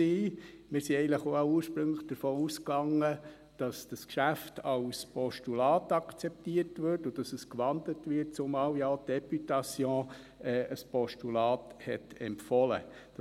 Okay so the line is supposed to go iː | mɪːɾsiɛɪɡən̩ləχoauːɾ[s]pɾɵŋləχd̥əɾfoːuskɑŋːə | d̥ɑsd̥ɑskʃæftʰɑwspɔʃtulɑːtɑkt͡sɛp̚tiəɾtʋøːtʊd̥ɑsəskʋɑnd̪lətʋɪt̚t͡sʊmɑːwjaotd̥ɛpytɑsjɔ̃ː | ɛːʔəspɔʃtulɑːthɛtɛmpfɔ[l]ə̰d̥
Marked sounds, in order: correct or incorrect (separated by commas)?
incorrect, correct